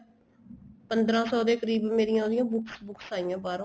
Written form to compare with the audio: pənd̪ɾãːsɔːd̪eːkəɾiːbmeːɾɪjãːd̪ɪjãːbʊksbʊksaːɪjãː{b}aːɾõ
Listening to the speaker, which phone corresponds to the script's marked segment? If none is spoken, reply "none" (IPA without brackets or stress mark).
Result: b